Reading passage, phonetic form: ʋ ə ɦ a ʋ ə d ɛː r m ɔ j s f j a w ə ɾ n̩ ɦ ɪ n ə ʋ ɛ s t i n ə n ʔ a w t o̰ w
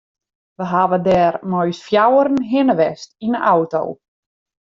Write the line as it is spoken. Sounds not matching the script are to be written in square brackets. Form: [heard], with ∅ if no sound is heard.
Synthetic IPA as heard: ʋ ə ɦ a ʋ ə d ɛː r m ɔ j s f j a w ə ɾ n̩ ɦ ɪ n ə ʋ ɛ s t i n ə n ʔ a w t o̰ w